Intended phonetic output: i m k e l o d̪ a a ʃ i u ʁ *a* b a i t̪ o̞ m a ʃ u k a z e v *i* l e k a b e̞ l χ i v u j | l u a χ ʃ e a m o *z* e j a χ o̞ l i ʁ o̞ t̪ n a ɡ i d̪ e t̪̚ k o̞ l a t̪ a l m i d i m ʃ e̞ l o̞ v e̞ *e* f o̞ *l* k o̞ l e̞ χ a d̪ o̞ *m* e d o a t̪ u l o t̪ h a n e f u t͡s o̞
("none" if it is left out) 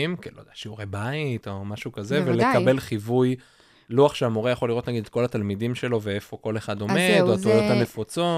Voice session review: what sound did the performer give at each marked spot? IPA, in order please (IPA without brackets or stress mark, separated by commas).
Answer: e, e, ʁ, e, none, m